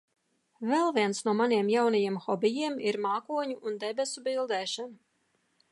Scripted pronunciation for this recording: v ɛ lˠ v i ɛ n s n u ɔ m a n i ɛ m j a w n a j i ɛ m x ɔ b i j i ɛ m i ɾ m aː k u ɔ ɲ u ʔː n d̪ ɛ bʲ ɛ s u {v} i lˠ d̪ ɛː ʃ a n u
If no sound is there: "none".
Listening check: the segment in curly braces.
b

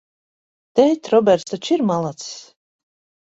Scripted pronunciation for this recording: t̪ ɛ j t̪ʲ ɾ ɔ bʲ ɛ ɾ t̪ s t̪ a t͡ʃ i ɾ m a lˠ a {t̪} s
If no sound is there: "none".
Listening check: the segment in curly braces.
t̪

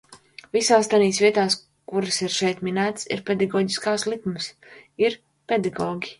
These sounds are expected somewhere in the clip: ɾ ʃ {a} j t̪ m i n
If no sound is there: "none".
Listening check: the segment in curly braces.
ɛ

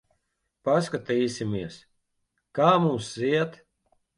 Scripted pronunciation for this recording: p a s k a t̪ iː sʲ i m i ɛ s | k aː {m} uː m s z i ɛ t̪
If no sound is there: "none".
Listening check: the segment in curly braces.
m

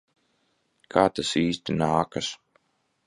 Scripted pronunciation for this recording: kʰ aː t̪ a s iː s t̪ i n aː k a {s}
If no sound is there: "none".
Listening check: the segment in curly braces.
s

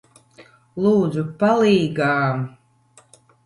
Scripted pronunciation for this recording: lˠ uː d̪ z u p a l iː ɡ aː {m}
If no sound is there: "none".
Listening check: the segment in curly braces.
m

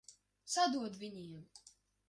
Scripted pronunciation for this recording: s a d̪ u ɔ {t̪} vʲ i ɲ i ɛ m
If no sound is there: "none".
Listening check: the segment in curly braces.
d̪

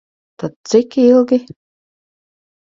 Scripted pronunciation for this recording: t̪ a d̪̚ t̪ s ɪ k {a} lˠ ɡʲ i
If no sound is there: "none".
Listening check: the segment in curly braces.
i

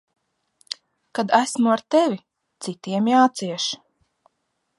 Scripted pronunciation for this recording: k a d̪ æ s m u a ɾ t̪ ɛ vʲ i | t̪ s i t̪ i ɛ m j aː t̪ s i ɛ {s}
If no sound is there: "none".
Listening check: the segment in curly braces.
ʃ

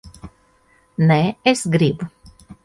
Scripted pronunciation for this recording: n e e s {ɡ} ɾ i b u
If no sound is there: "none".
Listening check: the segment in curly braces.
ɡ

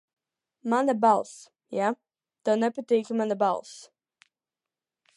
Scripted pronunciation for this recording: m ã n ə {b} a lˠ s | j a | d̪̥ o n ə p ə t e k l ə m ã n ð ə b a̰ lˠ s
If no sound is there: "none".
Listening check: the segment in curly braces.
b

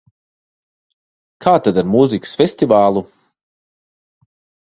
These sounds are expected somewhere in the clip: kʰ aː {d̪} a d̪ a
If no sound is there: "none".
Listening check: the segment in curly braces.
t̪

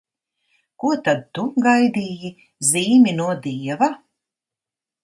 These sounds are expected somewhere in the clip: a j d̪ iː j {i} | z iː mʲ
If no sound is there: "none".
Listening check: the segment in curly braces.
i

